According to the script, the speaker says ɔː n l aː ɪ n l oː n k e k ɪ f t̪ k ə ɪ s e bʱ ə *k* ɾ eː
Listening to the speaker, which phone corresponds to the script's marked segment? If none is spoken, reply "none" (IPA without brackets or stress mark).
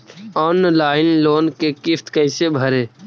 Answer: none